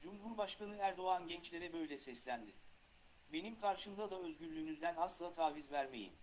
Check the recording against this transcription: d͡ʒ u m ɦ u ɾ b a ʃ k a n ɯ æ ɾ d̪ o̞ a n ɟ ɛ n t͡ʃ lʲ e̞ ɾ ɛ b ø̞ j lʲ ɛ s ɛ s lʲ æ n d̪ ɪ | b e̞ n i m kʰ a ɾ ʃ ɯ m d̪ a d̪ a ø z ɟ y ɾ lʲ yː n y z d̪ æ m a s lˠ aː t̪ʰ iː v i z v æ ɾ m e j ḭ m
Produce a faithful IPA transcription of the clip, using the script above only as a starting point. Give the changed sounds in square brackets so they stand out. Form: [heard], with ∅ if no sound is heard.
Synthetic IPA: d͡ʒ u m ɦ u ɾ b a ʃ k a n ɯ æ ɾ d̪ o̞ a n ɟ ɛ n t͡ʃ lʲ e̞ ɾ ɛ b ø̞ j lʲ ɛ s ɛ s lʲ æ n d̪ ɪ | b e̞ n i m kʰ a ɾ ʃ ɯ m d̪ a d̪ a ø z ɟ y ɾ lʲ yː n y z d̪ æ [n] a s lˠ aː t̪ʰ [aː] v i z v æ ɾ m e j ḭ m